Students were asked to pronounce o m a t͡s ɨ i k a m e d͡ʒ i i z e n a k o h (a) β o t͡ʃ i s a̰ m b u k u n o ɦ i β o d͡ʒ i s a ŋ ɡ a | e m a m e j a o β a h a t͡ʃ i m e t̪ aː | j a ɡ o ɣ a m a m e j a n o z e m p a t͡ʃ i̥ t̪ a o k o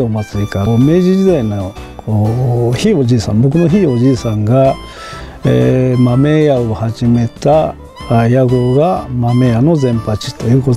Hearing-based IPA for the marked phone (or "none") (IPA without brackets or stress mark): i